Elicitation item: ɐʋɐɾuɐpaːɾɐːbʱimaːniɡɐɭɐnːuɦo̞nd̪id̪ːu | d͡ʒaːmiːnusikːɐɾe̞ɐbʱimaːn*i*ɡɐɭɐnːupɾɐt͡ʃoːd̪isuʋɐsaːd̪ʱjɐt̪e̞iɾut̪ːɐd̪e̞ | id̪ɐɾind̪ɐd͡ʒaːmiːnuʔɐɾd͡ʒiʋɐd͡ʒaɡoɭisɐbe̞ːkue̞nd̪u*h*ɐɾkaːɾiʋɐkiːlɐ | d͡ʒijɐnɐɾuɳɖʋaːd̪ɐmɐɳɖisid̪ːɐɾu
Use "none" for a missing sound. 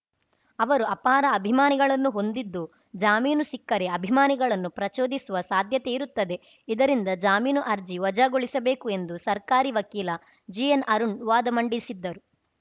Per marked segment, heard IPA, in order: i, s

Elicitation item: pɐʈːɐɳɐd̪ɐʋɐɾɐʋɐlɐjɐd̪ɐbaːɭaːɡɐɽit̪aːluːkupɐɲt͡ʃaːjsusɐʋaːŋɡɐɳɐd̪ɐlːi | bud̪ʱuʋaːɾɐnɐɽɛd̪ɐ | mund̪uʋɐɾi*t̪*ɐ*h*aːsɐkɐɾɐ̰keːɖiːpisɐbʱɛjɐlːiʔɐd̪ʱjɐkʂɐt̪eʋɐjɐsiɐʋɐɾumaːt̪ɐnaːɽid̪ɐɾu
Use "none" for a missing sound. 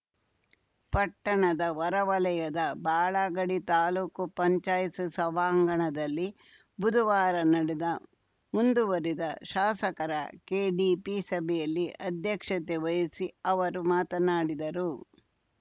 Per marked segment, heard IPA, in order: d̪, ʃ

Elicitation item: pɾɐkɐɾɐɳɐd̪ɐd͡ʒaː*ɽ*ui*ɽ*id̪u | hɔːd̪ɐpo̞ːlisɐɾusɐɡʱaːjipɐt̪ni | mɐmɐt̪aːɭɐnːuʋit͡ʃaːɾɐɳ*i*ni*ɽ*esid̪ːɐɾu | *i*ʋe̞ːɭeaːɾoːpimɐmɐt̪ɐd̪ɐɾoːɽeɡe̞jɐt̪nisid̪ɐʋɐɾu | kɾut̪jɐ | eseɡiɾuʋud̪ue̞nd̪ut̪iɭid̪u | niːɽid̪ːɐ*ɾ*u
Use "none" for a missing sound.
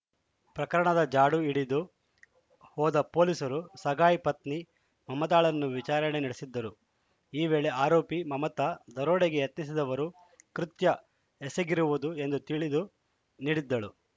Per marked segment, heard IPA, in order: ɽ, ɽ, e, ɽ, iː, ɭ

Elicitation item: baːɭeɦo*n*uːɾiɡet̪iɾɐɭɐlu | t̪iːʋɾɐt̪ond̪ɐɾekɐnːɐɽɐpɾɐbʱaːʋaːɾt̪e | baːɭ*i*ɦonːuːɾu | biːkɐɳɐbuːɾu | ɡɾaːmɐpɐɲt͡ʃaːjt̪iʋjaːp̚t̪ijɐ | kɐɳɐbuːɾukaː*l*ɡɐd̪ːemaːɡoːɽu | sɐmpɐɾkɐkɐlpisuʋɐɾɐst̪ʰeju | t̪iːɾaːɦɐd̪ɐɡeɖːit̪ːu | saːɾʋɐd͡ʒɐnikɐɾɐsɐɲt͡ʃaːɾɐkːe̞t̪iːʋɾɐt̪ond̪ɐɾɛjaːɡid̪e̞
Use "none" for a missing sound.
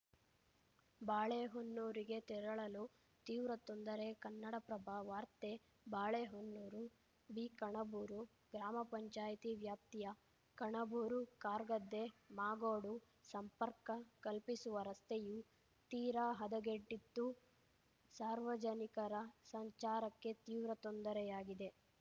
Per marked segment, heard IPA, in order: nː, e, ɾ

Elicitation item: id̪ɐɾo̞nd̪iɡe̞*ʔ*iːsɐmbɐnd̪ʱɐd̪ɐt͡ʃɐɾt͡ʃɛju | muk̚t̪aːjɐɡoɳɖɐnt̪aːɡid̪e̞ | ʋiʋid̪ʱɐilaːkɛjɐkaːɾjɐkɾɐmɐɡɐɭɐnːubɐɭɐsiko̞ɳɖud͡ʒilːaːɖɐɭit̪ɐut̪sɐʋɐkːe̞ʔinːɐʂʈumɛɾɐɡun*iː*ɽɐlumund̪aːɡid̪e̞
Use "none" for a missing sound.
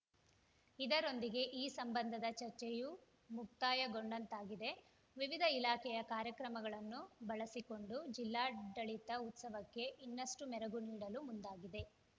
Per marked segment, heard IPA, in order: ʔ, iː

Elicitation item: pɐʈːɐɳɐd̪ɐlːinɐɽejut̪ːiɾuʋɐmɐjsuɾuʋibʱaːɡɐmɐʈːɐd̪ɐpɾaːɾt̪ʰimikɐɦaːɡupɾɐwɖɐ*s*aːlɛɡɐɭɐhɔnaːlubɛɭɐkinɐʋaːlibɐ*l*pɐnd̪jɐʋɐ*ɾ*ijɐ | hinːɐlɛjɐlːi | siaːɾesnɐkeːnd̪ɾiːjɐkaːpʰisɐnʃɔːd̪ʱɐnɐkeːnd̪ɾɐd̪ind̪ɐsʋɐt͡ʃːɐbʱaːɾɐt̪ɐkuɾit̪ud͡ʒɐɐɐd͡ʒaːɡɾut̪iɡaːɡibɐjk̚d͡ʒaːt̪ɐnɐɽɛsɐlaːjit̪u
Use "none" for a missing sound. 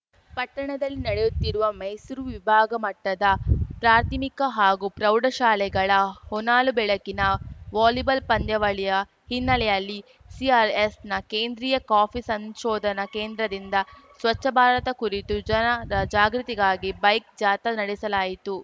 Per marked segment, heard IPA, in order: ʃ, l, ɭ

